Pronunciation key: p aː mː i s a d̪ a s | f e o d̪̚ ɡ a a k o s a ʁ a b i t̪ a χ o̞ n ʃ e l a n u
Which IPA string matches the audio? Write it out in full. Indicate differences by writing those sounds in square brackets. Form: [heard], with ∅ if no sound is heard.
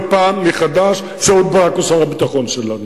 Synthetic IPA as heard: p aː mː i [χ] a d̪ a [ʃ] | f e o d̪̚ [b] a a k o s a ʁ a b i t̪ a χ o̞ n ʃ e l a n u